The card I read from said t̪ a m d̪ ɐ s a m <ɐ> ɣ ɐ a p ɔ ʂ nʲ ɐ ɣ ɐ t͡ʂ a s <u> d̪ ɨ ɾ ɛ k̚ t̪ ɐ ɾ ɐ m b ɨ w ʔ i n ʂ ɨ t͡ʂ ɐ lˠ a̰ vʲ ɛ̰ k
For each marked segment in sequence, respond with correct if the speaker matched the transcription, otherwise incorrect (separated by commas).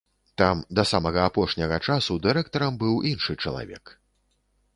correct, correct